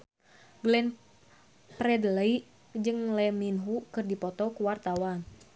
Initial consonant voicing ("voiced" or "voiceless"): voiced